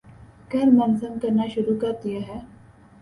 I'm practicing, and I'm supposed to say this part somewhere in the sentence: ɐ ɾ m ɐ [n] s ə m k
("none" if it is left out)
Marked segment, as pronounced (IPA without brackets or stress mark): n